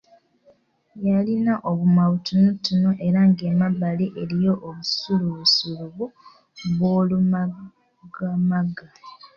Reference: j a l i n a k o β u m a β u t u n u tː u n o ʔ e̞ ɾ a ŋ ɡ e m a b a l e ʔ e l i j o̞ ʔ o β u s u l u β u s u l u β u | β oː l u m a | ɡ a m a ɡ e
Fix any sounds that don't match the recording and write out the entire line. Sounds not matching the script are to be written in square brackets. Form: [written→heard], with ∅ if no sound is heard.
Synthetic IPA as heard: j a l i n a [k→ʔ] o β u m a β u t u n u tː u n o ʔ e̞ ɾ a ŋ ɡ e m a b a l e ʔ e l i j o̞ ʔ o β u s u l u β u s u l u β u | β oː l u m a | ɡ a m a ɡ [e→a]